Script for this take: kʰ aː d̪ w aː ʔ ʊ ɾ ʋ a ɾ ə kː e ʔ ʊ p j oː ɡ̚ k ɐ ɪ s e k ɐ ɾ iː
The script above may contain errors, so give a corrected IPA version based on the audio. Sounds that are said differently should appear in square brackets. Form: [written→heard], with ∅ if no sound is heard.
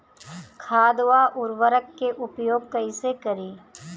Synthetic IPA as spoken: kʰ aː d̪ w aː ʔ ʊ ɾ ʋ [a→ə] ɾ ə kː e ʔ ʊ p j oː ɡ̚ k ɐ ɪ s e k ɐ ɾ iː

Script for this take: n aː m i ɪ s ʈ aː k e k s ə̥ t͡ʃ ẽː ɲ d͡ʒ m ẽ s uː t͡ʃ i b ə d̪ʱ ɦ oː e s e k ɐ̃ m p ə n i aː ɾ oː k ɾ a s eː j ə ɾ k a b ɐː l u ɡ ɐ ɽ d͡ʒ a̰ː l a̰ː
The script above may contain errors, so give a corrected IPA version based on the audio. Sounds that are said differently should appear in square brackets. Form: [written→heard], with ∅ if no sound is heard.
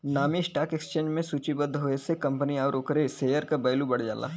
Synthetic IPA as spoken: n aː m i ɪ s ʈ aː k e k s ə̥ t͡ʃ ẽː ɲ d͡ʒ m ẽ s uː t͡ʃ i b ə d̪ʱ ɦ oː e s e k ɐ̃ m p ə n i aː ɾ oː k ɾ [a→e] s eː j ə ɾ k a b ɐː l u [ɡ→b] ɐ ɽ d͡ʒ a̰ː l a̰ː

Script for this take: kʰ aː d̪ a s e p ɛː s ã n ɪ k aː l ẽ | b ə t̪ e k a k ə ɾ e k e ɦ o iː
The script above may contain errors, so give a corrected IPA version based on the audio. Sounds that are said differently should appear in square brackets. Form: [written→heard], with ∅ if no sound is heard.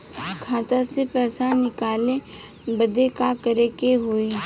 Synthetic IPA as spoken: kʰ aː [d̪→t̪] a s e p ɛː s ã n ɪ k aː l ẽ | b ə [t̪→d̪] e k a k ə ɾ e k e ɦ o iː

